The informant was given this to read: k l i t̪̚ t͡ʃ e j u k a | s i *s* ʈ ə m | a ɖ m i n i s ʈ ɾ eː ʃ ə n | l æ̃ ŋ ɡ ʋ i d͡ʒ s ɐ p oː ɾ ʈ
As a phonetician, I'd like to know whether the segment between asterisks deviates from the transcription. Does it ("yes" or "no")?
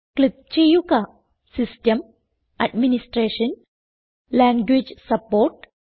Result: no